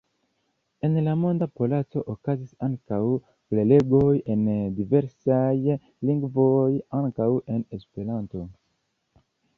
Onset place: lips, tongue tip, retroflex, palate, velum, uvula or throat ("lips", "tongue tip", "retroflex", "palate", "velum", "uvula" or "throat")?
tongue tip